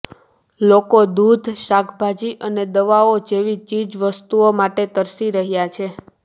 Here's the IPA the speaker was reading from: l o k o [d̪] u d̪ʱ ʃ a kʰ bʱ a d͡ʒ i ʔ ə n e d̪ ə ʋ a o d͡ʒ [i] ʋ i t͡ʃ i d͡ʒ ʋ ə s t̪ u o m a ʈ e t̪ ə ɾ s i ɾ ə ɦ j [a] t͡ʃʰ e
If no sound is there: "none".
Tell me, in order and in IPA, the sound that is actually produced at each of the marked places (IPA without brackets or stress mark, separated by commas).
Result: d̪, e, a